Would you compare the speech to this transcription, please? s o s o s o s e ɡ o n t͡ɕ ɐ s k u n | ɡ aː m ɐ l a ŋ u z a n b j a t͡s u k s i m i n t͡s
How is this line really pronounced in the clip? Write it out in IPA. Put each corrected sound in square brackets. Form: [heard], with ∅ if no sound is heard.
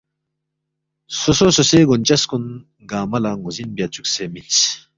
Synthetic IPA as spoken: s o s o s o s e ɡ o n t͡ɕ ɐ s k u n | ɡ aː m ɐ l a ŋ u z [i] n b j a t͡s u k s [e] m i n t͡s